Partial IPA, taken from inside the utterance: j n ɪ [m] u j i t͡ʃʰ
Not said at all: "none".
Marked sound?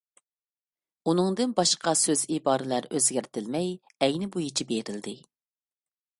b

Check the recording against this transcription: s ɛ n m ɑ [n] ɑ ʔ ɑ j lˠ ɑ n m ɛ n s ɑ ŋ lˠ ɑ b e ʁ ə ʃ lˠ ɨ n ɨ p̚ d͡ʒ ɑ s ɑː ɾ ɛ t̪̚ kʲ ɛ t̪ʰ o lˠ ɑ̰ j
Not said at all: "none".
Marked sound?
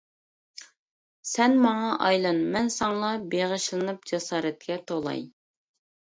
ŋ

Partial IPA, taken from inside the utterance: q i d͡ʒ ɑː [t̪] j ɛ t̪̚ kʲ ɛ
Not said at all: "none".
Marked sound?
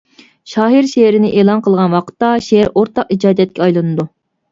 d̪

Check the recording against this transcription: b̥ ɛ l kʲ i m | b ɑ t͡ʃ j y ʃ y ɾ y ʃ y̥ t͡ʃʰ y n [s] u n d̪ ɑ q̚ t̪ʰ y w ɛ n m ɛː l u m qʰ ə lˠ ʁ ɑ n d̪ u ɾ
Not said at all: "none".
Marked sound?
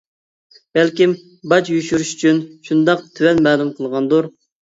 ʃ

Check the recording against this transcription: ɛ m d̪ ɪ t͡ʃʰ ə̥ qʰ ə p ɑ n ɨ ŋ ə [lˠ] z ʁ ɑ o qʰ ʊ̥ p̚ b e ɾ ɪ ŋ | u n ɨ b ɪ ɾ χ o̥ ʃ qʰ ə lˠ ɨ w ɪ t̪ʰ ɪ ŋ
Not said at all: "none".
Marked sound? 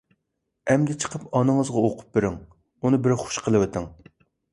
none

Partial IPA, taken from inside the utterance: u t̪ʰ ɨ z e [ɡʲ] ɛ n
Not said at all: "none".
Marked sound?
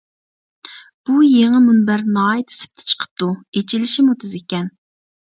kʲ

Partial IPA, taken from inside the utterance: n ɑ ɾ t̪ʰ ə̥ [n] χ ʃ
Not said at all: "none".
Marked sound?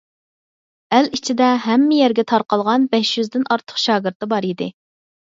none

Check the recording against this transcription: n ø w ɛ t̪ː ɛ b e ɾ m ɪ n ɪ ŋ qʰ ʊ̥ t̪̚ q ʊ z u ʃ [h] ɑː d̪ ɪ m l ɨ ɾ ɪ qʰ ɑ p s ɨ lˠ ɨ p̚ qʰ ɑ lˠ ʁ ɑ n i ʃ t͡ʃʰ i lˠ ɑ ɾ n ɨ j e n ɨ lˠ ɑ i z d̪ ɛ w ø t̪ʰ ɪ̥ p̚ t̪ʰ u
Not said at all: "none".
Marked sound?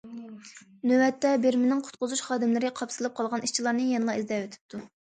χ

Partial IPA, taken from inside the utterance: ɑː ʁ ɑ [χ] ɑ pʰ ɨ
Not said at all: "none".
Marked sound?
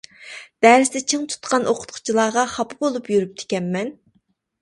χ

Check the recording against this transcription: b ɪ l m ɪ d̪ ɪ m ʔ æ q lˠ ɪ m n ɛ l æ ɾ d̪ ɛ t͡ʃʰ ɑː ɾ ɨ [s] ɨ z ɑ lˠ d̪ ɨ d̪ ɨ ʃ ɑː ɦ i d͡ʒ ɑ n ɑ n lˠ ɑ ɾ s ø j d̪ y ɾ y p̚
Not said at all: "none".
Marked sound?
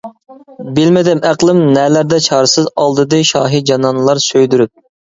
s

